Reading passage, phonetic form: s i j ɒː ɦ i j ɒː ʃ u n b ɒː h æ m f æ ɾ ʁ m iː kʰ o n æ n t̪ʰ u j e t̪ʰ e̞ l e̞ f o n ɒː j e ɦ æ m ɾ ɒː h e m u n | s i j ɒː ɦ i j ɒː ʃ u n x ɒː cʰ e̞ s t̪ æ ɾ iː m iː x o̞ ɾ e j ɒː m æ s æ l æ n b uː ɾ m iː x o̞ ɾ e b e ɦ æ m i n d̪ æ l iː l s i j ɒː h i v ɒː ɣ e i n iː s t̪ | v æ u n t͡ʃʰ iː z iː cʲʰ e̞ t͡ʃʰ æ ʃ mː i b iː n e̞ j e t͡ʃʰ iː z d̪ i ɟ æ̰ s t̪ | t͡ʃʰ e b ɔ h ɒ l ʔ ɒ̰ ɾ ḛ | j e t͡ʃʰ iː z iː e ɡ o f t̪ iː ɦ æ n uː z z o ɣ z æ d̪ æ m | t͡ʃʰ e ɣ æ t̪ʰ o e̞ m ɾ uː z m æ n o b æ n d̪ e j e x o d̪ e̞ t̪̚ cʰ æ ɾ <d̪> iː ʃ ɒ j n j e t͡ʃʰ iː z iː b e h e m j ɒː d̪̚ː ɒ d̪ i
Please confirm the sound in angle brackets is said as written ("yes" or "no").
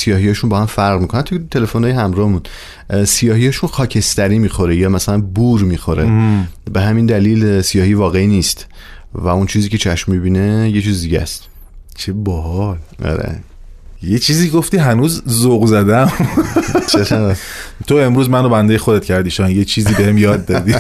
yes